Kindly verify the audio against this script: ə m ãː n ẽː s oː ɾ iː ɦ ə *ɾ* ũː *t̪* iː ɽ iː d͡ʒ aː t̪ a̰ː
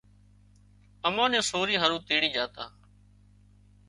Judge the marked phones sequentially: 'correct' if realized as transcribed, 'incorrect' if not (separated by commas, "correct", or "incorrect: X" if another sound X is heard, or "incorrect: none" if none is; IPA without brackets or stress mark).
correct, correct